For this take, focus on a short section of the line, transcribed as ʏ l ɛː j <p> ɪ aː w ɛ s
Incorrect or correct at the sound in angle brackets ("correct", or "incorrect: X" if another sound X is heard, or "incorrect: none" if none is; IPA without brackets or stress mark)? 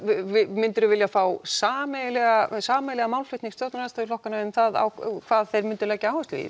incorrect: c